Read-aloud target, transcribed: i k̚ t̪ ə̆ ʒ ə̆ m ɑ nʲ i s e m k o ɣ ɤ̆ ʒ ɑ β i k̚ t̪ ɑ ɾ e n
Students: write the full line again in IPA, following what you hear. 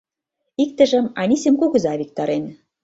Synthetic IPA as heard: i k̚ t̪ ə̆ ʒ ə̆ m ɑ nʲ i s e m k o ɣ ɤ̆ z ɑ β i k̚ t̪ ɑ ɾ e n